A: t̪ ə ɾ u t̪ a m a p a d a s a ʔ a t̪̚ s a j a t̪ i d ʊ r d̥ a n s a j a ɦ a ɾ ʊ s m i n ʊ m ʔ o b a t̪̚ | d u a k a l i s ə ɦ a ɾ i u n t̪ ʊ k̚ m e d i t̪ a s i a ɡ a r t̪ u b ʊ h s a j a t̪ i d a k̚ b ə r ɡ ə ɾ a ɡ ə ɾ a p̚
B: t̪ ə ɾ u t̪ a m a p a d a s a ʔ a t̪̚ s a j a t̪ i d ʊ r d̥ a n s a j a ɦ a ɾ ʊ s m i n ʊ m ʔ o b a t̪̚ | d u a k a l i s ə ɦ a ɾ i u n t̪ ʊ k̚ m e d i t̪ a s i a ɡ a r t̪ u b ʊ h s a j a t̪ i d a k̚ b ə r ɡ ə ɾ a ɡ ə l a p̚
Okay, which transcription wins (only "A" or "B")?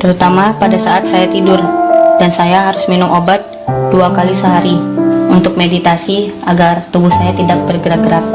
A